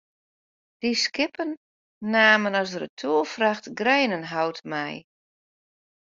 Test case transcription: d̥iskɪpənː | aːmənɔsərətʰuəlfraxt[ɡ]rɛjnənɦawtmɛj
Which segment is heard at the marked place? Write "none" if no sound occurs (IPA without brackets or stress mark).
ɡ